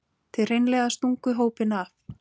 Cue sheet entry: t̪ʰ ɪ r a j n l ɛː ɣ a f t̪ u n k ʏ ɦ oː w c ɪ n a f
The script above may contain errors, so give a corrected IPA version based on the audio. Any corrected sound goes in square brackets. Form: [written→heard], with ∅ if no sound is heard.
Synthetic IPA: t̪ʰ ɪ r [a→e] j n l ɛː ɣ a [f→s] t̪ u [n→ŋ] k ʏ ɦ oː w [c→p] ɪ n a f

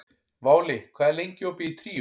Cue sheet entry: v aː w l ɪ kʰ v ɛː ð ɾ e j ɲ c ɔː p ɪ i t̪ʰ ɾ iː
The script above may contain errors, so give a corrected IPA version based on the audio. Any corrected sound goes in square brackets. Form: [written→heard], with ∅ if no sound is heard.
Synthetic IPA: v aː w l ɪ kʰ v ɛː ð [ɾ→l] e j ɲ c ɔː p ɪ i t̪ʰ ɾ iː

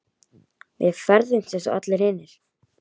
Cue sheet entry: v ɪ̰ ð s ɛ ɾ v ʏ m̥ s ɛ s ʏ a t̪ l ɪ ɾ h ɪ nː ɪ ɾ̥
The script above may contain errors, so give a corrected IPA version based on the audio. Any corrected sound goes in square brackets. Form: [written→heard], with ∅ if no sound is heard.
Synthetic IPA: v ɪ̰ ð [s→f] ɛ ɾ [v→ð] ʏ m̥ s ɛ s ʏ a t̪ l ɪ ɾ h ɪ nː ɪ ɾ̥

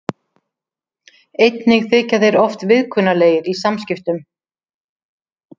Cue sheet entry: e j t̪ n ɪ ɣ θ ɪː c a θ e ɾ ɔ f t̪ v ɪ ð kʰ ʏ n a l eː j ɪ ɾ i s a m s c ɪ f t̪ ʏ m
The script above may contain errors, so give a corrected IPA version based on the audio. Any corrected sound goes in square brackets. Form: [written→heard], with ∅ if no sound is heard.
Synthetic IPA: e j t̪ n ɪ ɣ θ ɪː c a [θ→ð] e ɾ ɔ f t̪ v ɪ ð kʰ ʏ n a l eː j ɪ ɾ i s a m s c ɪ f t̪ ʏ m

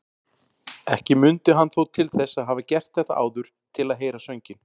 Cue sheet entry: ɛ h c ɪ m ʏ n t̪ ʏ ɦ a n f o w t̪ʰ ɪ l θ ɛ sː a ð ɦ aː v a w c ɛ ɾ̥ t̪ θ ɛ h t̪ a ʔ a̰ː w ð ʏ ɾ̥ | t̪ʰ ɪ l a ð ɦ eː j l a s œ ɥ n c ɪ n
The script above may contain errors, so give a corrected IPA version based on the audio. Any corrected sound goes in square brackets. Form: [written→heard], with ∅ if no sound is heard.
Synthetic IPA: ɛ h c ɪ m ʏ n t̪ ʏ ɦ a n [f→θ] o w t̪ʰ ɪ l θ ɛ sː a ð ɦ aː v a [w→∅] c ɛ [ɾ̥→r̥] t̪ θ ɛ h t̪ a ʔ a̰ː w ð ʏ ɾ̥ | t̪ʰ ɪ l a ð ɦ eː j [l→ɾ] a s œ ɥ [n→ɲ] c ɪ n

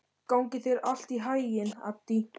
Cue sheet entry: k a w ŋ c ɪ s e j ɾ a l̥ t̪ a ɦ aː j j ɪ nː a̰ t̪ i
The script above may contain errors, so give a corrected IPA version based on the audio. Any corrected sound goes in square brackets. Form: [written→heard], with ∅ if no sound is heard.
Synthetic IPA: k a w ŋ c ɪ [s→θ] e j ɾ a l̥ t̪ [a→i] ɦ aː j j ɪ [nː→n] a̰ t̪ i

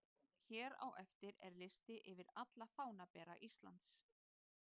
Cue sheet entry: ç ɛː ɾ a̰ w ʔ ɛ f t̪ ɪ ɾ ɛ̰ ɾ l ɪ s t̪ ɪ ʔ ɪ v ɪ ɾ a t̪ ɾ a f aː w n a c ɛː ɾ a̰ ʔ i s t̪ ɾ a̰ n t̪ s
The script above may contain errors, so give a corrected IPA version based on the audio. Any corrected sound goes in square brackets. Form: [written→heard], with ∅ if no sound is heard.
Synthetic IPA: ç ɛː ɾ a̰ w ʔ ɛ f t̪ ɪ ɾ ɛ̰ ɾ l ɪ s t̪ ɪ ʔ ɪ v ɪ ɾ a t̪ [ɾ→l] a f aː w n a [c→p] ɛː ɾ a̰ ʔ i s t̪ [ɾ→l] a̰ n t̪ s

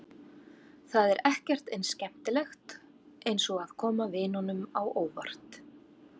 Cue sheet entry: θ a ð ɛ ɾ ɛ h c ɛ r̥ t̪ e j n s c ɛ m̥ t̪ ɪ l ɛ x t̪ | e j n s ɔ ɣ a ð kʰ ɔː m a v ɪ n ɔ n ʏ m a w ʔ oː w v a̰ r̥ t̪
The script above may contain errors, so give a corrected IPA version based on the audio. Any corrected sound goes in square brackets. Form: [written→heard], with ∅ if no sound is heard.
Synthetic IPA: θ a ð ɛ ɾ ɛ h c ɛ r̥ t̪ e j n s c ɛ m̥ t̪ ɪ l ɛ x t̪ | e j n s ɔ ɣ a ð kʰ ɔː m a v ɪ n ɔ n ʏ m a w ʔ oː w v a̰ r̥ t̪

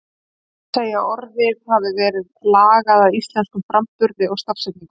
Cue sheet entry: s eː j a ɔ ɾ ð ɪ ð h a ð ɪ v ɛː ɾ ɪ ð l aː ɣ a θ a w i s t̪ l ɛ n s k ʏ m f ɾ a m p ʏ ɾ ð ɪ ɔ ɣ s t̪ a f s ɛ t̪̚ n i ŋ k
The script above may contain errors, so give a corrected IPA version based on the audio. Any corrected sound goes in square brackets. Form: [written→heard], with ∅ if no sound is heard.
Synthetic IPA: s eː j a ɔ ɾ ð ɪ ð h a [ð→v] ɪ v ɛː ɾ ɪ ð l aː ɣ a [θ→ð] a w i s t̪ l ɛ n s k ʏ m f ɾ a m p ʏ ɾ ð ɪ ɔ ɣ s t̪ a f s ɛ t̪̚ n i ŋ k

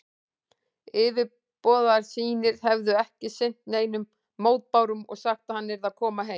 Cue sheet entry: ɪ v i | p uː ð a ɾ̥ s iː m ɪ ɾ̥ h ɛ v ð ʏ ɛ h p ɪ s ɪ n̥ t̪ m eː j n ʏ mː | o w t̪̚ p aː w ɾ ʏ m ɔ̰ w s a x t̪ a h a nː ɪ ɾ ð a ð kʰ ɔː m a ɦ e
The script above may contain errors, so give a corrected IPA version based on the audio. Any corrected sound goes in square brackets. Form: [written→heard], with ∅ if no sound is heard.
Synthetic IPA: ɪ v [i→ɪ] | p [uː→ɔː] ð a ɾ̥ s iː [m→n] ɪ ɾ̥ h ɛ v ð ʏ ɛ h [p→c] ɪ s ɪ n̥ t̪ [m→n] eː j n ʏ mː | o w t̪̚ p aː w ɾ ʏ m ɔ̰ [w→ɣ] s a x t̪ a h a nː ɪ ɾ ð a ð kʰ ɔː m a ɦ e

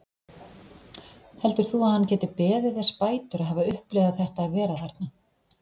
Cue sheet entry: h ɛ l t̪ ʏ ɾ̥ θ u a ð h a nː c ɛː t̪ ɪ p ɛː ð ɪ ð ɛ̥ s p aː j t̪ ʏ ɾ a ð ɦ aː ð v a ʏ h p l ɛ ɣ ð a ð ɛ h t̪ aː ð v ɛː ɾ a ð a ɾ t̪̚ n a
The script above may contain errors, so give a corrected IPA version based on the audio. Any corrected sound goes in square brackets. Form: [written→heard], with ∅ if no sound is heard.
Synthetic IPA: h ɛ l t̪ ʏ ɾ̥ θ u a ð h a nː c ɛː t̪ ɪ p ɛː ð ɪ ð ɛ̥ s p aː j t̪ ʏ ɾ a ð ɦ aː [ð→∅] v a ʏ h p l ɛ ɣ ð a [ð→θ] ɛ h t̪ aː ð v ɛː ɾ a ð a ɾ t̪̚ n a

